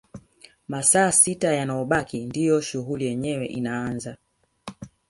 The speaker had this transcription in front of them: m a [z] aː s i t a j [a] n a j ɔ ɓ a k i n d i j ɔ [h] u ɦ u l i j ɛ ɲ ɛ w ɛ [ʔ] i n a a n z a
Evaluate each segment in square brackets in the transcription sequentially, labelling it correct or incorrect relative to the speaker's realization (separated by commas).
incorrect, correct, incorrect, correct